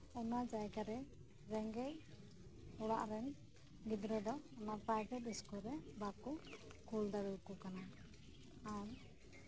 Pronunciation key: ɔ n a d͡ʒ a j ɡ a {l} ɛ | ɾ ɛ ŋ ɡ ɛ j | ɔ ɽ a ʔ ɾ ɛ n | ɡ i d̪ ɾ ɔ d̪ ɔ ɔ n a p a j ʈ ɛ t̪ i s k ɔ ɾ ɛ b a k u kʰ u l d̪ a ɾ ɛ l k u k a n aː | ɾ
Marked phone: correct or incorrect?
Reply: incorrect